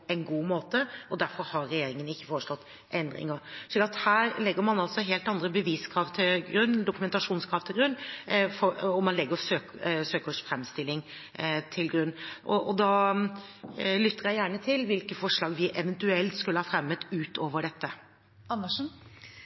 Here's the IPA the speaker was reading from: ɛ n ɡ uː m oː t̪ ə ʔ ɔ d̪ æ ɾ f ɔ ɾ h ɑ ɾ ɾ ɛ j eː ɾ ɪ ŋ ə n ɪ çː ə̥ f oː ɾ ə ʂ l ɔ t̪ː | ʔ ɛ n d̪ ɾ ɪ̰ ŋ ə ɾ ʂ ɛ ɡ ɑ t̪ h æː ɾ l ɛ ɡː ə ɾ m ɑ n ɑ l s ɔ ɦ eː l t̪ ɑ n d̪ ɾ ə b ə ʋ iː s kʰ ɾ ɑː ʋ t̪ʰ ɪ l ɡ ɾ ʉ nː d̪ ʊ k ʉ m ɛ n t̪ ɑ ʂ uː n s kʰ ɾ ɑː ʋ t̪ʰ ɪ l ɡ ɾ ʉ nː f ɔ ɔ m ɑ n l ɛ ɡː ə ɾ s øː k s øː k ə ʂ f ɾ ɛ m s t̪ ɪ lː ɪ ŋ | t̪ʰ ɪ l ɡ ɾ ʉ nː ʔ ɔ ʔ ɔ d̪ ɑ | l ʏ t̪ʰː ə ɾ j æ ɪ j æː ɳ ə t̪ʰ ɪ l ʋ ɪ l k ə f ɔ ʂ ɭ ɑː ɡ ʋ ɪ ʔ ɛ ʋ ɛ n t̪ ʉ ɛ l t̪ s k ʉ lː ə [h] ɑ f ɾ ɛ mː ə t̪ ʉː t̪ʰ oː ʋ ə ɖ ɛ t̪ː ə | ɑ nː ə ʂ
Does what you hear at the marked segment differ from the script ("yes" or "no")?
no